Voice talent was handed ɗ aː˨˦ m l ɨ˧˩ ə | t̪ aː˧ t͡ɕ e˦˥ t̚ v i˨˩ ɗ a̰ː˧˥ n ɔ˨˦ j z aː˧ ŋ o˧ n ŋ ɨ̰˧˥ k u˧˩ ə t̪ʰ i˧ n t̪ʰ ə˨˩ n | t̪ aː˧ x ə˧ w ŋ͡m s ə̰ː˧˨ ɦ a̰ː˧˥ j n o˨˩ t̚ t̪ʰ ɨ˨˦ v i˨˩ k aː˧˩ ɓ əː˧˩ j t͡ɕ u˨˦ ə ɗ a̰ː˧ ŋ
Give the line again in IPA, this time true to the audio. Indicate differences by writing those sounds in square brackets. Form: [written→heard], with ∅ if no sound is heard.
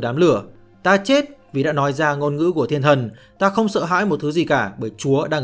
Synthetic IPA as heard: ɗ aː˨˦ m l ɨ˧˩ ə | t̪ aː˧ t͡ɕ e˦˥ t̚ v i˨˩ ɗ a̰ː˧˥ n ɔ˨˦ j z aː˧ ŋ o˧ n ŋ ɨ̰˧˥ k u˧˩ ə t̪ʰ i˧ n t̪ʰ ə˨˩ n | t̪ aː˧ x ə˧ w ŋ͡m s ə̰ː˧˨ ɦ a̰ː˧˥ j [n→m] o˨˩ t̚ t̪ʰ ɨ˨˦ [v→z] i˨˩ k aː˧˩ ɓ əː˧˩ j t͡ɕ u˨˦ ə ɗ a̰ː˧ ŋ